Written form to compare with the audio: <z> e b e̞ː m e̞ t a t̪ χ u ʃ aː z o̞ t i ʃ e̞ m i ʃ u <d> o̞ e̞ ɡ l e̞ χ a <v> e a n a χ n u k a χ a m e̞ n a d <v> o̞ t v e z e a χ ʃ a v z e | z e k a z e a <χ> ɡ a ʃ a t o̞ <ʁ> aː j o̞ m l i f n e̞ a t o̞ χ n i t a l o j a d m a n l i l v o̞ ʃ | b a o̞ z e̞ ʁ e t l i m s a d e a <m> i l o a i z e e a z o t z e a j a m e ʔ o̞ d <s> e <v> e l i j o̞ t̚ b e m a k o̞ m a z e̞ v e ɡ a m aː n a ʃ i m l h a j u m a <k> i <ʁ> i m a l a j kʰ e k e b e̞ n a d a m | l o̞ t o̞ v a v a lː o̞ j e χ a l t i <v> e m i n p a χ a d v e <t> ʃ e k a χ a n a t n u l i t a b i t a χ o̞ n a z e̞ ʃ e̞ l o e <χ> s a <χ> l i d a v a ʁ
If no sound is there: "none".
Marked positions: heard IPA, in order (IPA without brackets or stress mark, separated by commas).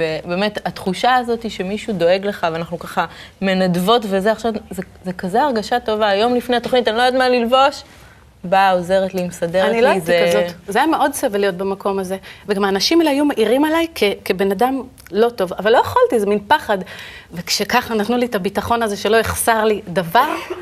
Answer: v, d, v, v, ʁ, v, n, s, v, ʔ, ʁ, z, k, χ, ʁ